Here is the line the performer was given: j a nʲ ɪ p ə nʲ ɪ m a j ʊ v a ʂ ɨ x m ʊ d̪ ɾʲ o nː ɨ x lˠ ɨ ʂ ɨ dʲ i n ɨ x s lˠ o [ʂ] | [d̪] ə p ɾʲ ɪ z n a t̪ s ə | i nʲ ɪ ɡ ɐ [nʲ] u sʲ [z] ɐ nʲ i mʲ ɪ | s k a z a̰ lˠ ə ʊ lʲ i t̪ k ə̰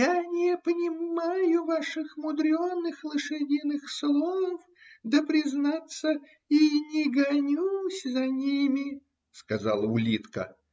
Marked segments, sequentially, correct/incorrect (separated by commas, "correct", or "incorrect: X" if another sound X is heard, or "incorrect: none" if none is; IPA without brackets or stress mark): incorrect: f, correct, correct, correct